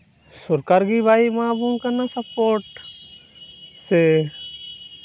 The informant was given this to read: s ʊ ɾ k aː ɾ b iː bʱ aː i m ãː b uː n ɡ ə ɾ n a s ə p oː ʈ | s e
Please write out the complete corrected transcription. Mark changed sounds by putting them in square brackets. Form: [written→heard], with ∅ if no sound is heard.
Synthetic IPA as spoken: s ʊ ɾ k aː ɾ [b→ɡ] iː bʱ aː i m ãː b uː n [ɡ→k] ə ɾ n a s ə p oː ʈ | s e